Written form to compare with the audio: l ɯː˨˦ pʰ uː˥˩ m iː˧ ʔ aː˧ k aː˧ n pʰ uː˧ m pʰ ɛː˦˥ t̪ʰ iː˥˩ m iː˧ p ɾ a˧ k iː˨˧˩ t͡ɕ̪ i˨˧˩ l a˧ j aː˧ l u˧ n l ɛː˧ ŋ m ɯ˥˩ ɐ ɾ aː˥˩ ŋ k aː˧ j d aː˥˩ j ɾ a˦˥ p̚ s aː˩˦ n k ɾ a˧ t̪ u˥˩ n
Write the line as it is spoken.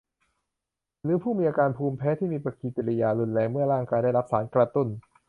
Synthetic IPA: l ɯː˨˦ pʰ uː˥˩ m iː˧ ʔ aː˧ k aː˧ n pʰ uː˧ m pʰ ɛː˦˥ t̪ʰ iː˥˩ m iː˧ p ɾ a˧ k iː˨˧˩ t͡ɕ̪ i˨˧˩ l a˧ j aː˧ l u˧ n l ɛː˧ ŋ m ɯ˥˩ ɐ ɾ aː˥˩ ŋ k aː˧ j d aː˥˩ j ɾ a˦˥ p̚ s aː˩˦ n k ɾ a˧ t̪ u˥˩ n